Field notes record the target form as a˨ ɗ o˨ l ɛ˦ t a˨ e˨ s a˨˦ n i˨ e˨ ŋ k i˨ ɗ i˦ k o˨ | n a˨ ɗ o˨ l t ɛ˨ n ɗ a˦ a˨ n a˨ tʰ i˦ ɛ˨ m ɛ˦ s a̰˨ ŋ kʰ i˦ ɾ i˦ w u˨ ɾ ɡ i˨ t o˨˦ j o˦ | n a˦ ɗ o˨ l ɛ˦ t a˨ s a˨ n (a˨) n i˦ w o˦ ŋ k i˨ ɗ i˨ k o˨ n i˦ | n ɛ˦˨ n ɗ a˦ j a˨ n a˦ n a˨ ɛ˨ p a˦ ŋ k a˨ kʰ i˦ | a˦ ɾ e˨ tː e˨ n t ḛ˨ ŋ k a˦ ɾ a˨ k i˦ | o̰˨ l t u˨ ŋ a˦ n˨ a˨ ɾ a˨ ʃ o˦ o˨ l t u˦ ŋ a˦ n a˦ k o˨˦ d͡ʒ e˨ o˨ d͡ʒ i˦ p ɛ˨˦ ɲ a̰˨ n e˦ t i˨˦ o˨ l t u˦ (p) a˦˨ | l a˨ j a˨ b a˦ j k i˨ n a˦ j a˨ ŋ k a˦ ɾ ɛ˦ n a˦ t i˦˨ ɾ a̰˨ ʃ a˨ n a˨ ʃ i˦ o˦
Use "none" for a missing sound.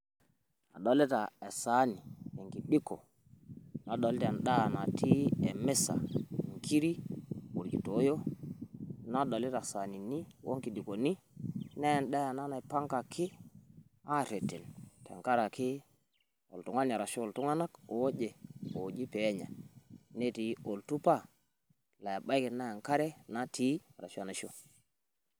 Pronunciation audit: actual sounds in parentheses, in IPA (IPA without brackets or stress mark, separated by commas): i˨, p